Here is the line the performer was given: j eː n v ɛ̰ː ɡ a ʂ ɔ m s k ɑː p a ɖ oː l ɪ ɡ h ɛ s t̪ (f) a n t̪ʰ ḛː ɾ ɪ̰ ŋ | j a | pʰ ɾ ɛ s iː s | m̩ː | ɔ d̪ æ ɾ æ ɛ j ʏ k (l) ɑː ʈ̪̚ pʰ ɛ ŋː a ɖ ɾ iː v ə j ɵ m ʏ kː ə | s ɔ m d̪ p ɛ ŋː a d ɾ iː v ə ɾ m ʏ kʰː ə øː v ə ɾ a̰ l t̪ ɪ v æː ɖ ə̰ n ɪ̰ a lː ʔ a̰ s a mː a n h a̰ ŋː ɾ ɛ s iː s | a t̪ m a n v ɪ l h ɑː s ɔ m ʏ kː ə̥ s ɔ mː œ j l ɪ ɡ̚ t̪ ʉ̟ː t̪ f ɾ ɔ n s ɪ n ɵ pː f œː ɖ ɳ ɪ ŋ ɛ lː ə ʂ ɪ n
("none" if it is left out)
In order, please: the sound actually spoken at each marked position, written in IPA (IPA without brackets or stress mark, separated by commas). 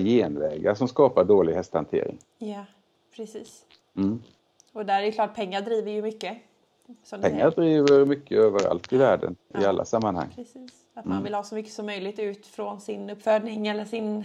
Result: h, l